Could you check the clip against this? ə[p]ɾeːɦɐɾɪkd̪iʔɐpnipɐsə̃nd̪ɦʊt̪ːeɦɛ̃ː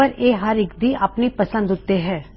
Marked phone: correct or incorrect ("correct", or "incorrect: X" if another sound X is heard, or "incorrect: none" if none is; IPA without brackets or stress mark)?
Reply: incorrect: none